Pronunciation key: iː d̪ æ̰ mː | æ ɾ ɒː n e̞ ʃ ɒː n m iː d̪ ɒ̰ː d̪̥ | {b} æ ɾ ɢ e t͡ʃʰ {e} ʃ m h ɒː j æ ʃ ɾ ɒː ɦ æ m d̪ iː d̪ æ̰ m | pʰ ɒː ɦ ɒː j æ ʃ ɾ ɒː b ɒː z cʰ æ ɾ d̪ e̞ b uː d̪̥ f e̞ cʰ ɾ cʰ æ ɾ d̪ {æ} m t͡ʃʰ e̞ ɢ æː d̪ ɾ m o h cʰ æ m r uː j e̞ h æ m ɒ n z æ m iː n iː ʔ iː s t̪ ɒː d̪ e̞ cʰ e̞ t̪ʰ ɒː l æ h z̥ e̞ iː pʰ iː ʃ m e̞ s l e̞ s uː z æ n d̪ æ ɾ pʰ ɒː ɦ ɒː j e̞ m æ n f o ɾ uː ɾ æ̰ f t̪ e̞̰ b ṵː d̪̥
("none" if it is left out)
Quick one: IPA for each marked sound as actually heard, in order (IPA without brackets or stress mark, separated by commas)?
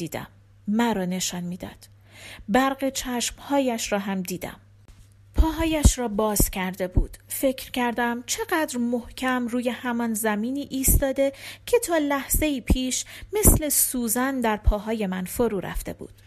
b, æ, æ